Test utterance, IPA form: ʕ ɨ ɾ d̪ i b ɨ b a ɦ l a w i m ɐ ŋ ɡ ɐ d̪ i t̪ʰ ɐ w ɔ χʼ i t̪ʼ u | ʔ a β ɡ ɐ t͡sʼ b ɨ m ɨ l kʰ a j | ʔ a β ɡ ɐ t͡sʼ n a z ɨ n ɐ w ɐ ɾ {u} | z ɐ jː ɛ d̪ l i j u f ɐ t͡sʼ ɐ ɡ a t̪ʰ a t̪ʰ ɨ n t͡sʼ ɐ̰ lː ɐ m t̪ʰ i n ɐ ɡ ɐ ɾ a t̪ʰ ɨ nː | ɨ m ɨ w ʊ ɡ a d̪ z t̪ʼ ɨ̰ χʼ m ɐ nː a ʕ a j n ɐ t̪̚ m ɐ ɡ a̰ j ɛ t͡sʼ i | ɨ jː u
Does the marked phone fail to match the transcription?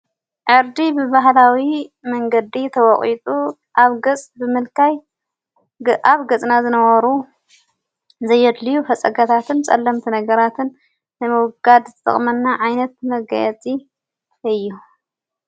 no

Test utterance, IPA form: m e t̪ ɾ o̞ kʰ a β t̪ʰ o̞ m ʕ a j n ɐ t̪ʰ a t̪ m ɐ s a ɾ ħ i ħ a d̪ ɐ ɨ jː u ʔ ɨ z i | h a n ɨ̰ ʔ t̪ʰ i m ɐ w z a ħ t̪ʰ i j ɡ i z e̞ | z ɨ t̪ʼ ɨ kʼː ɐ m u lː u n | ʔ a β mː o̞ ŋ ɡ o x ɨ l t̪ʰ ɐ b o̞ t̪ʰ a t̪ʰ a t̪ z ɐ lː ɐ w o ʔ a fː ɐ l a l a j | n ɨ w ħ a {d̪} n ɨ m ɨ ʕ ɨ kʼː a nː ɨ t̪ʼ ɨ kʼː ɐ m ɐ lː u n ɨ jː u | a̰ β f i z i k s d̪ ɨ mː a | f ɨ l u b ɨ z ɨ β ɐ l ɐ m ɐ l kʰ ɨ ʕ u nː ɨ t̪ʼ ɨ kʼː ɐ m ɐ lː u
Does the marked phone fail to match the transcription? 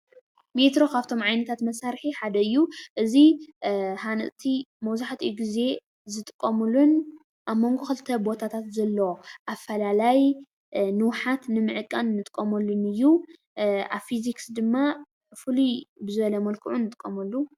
yes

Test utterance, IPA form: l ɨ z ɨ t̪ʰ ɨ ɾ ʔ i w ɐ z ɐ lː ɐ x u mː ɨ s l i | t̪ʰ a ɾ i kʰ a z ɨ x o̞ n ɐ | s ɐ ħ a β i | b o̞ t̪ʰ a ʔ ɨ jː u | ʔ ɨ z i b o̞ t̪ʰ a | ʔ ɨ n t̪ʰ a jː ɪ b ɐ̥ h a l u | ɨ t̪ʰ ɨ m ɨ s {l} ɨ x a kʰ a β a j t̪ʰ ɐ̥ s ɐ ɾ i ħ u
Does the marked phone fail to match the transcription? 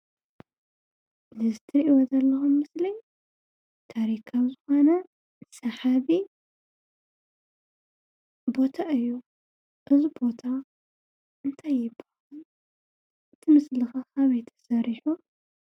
no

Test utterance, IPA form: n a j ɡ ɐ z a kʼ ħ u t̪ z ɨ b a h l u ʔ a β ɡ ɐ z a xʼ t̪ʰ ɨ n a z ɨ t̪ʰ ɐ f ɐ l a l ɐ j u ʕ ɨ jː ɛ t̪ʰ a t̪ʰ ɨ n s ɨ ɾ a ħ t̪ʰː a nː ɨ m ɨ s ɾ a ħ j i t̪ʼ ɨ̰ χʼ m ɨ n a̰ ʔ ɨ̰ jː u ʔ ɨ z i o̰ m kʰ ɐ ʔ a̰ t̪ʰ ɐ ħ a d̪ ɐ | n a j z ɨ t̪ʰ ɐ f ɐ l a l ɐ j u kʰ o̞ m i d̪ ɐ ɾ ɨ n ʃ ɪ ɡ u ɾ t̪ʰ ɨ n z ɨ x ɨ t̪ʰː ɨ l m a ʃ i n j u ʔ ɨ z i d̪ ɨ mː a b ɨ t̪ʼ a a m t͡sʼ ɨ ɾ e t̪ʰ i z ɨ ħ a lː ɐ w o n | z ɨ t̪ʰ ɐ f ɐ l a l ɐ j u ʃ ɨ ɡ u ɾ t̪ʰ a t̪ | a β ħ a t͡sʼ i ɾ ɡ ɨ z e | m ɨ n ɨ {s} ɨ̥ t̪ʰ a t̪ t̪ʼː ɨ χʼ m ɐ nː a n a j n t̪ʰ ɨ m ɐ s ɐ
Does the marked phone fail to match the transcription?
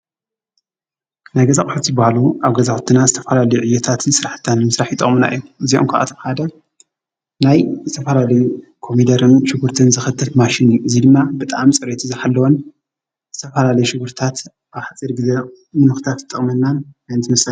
yes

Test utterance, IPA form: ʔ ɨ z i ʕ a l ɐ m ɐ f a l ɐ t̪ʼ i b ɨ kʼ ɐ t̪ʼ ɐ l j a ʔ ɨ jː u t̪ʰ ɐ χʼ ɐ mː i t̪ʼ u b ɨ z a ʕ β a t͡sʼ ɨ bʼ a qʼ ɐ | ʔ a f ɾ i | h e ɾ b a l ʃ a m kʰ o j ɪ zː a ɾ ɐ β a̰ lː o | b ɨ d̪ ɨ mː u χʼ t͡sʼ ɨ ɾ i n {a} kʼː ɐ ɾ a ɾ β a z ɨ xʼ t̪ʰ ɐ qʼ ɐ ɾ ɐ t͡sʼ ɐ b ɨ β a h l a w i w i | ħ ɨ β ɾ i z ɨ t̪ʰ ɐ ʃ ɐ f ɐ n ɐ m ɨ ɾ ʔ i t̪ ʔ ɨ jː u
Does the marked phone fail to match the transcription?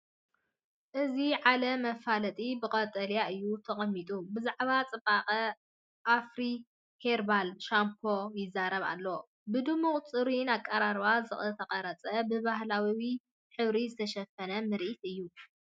no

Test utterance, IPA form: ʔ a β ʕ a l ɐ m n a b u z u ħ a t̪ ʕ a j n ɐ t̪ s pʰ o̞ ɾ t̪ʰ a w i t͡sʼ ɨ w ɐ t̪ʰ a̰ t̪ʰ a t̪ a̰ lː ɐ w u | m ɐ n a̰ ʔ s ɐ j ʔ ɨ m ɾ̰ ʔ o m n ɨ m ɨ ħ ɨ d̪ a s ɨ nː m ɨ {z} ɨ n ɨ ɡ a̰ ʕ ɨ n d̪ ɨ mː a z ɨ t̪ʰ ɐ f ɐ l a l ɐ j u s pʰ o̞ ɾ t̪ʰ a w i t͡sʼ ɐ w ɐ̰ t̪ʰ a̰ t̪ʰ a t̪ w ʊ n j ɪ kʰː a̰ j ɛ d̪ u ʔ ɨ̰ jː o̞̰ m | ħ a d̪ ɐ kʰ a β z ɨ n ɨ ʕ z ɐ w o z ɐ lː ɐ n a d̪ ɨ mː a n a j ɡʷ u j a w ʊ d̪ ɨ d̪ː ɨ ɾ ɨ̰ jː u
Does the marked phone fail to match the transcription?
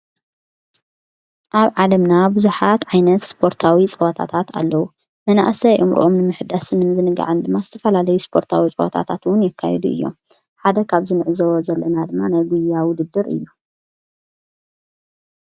no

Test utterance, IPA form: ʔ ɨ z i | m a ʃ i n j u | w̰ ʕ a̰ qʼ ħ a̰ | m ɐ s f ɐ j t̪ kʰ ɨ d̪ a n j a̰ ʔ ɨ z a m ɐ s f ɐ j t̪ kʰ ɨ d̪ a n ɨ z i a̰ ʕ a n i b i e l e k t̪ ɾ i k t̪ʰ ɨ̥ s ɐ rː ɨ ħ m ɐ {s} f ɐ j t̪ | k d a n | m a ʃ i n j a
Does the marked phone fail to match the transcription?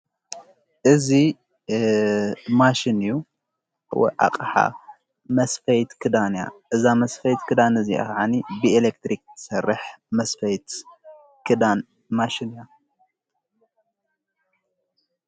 no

